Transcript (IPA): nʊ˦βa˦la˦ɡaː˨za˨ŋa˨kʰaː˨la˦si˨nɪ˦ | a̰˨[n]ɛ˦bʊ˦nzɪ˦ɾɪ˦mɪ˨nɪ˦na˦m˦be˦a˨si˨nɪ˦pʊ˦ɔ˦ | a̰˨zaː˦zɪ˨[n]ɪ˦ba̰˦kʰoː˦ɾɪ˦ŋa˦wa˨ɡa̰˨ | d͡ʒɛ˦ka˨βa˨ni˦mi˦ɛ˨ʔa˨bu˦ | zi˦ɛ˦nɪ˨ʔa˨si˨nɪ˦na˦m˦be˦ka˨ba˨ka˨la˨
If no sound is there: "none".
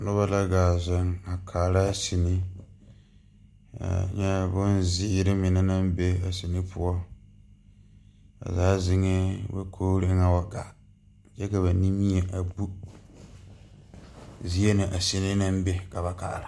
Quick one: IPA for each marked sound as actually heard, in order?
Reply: ɲ, ŋ

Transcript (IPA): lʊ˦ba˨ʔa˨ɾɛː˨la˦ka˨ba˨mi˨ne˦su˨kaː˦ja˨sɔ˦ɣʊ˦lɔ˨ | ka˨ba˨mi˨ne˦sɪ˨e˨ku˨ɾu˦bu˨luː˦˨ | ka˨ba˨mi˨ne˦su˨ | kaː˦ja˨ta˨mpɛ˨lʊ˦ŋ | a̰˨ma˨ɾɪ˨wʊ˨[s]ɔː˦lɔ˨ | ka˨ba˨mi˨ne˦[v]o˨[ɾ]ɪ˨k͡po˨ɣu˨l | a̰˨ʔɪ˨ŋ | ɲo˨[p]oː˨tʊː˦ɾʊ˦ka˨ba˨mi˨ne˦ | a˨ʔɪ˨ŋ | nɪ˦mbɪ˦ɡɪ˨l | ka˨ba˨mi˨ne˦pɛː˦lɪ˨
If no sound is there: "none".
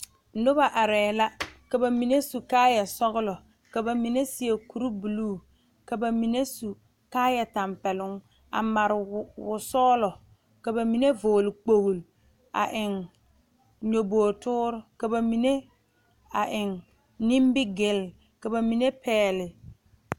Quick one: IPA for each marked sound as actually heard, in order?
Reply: s, v, l, b

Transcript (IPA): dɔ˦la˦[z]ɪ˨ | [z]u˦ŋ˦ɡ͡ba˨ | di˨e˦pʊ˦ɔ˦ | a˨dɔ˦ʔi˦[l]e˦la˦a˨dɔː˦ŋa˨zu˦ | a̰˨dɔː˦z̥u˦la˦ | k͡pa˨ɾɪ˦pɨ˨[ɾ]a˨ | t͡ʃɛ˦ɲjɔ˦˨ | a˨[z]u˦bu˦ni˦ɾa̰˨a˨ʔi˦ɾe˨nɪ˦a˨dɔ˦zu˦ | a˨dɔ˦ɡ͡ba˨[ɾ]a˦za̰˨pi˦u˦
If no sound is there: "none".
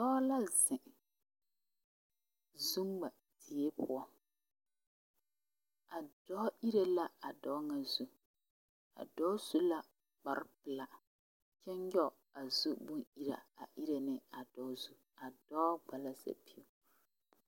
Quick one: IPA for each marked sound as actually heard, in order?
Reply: z, z, ɾ, l, z, l

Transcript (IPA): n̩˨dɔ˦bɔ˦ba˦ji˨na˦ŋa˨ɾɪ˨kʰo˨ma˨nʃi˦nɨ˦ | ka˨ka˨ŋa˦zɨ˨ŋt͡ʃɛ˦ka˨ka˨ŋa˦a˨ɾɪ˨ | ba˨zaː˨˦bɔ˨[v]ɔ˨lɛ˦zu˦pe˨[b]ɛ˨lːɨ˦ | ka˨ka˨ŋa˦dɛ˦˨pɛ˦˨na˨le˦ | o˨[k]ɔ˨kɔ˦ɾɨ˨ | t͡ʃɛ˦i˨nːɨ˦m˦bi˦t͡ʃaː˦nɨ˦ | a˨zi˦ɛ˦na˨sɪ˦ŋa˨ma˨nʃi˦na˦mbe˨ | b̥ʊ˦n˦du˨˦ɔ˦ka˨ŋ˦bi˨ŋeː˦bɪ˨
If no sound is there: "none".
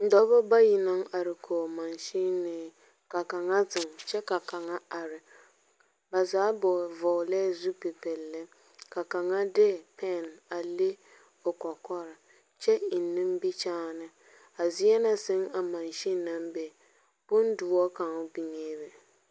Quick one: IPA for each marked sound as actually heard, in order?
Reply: v, p, k

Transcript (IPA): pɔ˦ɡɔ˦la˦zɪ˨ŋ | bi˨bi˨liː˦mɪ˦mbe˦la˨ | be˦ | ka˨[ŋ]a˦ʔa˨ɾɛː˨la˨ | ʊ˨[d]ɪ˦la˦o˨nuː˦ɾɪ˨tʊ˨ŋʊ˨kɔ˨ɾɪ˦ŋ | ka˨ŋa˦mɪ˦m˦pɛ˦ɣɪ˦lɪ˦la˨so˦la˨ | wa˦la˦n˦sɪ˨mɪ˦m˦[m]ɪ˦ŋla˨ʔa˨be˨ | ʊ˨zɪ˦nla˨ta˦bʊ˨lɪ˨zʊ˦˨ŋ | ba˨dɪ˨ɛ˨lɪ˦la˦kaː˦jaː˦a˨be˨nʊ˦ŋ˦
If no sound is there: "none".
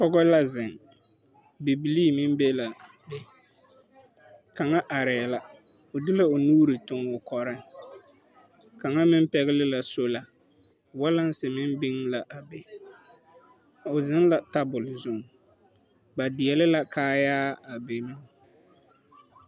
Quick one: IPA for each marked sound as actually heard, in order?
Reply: ŋ, d, b

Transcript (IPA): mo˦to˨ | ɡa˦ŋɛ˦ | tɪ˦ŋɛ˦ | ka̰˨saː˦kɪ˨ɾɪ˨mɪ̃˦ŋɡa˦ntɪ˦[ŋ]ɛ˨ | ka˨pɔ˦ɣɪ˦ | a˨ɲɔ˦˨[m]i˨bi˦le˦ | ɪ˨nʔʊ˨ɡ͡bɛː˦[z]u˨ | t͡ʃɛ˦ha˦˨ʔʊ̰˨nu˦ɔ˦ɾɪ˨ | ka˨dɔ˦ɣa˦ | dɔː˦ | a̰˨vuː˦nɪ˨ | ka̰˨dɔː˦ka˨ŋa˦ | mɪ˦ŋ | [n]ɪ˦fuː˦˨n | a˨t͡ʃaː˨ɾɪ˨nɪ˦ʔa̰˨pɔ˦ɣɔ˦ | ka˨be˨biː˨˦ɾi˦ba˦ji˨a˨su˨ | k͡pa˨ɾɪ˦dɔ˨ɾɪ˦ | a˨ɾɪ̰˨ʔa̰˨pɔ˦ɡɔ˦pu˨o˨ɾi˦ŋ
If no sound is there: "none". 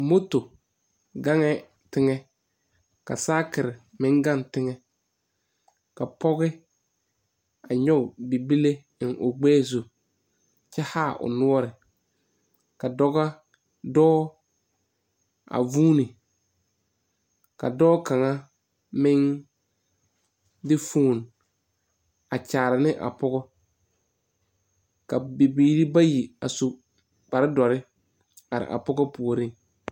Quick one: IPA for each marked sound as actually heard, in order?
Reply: ŋ, b, z, d

